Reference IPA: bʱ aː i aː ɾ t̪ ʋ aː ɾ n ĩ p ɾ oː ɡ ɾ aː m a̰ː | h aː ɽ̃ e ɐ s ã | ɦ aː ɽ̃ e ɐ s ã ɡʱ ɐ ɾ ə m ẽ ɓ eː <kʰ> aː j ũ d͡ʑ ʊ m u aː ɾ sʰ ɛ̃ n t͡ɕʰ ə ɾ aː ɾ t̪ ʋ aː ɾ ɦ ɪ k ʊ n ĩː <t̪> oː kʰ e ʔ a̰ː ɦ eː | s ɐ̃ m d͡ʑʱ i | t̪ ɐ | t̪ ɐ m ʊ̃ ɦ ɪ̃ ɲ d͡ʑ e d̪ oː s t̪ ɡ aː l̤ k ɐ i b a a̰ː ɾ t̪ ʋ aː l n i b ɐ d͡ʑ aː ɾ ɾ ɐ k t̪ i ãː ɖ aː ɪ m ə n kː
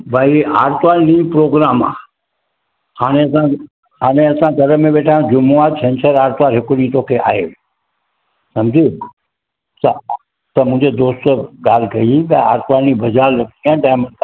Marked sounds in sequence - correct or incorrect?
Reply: incorrect: ʈʰ, correct

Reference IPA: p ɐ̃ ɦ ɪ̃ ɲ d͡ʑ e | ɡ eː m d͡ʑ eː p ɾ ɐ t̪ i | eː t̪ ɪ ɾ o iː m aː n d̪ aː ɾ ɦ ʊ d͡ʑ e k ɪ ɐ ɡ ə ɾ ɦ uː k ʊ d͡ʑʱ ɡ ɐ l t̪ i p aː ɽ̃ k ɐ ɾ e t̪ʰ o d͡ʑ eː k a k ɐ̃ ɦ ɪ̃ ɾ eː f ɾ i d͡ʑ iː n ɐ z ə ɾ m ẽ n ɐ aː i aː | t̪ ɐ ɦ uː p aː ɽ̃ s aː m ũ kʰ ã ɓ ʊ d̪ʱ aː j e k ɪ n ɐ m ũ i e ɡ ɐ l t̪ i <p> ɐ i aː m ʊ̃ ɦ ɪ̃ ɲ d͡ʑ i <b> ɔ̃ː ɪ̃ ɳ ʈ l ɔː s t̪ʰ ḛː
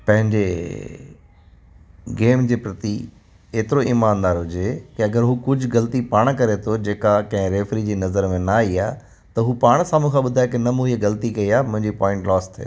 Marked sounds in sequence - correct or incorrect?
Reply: incorrect: k, incorrect: p

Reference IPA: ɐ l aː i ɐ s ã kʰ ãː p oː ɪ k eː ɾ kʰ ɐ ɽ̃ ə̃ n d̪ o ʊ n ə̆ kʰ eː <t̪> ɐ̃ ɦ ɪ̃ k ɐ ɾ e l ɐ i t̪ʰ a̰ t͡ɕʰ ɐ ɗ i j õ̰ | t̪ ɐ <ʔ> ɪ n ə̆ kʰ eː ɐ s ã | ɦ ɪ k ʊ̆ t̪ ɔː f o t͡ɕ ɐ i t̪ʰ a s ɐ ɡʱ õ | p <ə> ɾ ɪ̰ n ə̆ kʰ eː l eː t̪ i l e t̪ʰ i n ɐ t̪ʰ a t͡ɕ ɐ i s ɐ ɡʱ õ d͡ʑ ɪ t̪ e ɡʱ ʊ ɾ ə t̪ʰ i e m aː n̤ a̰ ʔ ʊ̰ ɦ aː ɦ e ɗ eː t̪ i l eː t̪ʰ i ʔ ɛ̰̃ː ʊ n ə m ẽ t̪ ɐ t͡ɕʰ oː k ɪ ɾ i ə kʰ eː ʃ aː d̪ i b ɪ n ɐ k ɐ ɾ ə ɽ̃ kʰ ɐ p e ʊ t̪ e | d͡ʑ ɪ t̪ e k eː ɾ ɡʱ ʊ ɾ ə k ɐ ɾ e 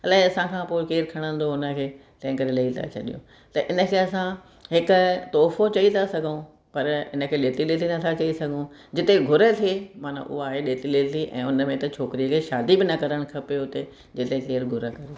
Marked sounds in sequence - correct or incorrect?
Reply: correct, correct, incorrect: ɐ

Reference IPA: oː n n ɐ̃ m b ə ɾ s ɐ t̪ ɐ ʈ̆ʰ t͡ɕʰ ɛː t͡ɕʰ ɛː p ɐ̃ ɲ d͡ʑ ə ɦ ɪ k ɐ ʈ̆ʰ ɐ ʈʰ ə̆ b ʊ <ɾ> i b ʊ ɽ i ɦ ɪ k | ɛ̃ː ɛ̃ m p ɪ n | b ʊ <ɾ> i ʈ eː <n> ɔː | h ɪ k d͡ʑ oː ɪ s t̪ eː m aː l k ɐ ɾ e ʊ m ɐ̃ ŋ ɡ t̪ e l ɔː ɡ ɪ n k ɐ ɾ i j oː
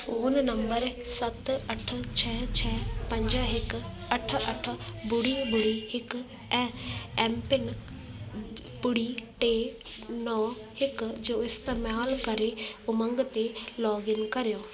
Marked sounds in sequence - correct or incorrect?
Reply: incorrect: ɽ, incorrect: ɽ, correct

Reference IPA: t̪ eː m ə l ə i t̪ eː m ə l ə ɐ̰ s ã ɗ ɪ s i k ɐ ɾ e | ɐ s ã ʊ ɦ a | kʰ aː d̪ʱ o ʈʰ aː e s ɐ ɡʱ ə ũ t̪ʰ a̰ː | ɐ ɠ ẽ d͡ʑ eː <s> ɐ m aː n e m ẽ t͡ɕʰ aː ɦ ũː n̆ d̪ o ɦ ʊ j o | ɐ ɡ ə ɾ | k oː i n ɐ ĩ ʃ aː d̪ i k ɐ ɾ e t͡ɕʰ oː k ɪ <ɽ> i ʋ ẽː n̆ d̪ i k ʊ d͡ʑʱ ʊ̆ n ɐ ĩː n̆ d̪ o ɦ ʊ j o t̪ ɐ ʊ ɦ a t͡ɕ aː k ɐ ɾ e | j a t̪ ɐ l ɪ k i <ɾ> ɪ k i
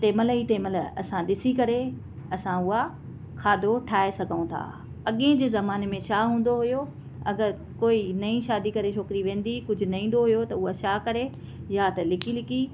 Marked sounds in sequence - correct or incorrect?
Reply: incorrect: z, incorrect: ɾ, incorrect: l

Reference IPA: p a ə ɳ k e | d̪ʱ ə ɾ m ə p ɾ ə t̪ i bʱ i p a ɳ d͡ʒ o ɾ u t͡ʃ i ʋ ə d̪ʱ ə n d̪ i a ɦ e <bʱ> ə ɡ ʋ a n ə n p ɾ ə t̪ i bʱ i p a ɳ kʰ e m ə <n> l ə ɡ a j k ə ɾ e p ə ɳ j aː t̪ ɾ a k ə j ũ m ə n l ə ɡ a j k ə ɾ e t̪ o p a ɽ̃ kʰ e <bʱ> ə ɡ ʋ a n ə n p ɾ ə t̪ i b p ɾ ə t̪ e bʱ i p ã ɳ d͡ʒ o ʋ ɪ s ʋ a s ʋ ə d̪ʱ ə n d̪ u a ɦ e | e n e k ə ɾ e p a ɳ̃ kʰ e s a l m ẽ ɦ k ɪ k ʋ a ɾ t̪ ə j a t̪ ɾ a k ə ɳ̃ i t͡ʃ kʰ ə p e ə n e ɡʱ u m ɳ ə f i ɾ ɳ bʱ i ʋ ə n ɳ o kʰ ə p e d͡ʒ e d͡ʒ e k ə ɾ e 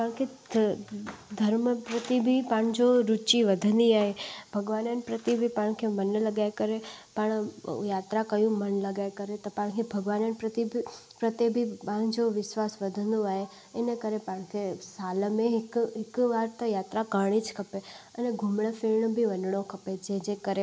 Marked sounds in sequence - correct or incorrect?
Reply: correct, correct, correct

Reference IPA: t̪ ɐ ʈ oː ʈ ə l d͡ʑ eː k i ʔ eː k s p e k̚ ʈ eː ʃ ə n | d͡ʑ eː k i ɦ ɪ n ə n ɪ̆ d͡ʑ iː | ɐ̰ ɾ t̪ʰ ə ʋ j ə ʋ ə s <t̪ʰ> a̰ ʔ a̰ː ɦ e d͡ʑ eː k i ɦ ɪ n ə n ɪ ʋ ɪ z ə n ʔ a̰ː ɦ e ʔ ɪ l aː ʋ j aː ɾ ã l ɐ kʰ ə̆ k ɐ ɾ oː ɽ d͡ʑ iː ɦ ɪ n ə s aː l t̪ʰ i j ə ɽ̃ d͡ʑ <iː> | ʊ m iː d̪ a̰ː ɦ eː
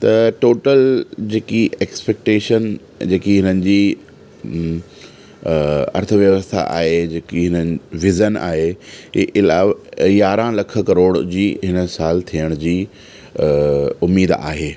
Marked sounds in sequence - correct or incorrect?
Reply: correct, correct

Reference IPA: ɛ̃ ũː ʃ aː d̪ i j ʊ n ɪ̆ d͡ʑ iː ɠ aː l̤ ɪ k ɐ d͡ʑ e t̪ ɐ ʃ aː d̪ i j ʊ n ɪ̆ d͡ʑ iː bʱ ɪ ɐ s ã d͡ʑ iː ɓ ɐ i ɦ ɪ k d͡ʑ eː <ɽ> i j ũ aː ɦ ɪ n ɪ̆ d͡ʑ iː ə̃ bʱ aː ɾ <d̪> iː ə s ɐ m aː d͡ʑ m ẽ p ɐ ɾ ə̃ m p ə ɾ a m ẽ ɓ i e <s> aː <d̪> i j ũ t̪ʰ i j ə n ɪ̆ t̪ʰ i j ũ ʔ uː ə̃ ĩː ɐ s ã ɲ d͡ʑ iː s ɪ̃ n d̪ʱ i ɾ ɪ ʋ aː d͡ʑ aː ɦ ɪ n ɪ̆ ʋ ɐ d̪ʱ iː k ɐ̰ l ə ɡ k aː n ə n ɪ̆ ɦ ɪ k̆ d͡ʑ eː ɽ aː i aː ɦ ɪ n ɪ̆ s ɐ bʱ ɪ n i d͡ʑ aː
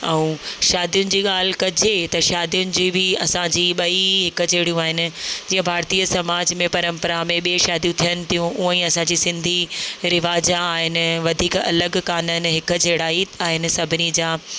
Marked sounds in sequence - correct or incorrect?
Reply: correct, incorrect: t̪, incorrect: ʃ, correct

